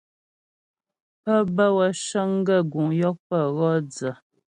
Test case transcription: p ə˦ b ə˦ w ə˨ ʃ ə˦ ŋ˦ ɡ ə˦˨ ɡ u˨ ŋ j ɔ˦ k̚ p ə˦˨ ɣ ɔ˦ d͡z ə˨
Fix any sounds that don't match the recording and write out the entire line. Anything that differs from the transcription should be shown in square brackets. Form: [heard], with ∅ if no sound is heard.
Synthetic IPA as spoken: p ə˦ b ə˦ w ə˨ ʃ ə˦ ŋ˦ ɡ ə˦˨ ɡ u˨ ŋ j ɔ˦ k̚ p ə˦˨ ɣ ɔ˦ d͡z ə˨